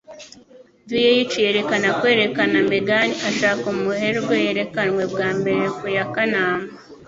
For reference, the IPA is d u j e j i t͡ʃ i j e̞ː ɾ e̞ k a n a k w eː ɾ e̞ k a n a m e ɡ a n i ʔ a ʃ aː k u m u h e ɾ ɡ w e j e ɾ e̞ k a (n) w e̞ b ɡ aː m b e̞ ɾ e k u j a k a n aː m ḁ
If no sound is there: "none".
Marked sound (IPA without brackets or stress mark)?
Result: n